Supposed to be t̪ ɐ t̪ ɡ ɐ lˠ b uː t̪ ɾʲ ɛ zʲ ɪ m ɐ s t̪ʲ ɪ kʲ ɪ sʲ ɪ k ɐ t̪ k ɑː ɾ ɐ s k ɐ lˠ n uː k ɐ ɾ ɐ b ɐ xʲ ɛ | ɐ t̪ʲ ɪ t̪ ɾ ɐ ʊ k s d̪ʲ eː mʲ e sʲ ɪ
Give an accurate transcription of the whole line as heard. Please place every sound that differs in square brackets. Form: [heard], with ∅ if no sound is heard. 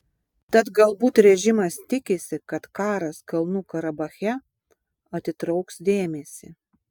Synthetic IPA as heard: t̪ ɐ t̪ ɡ ɐ lˠ b uː t̪ ɾʲ ɛ [ʒʲ] ɪ m ɐ s t̪ʲ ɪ kʲ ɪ sʲ ɪ k ɐ t̪ k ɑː ɾ ɐ s k ɐ lˠ n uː k ɐ ɾ ɐ b ɐ xʲ ɛ | ɐ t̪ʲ ɪ t̪ ɾ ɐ ʊ k s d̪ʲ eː mʲ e sʲ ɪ